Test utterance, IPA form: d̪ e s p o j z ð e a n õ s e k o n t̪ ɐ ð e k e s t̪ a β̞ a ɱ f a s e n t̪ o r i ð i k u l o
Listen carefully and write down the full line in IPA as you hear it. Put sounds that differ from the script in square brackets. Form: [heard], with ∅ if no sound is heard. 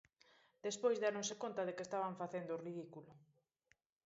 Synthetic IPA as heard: d̪ e s p o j z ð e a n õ s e k o n t̪ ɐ ð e k e s t̪ a β̞ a ɱ f a [θ] e n [d̪] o r i ð i k u l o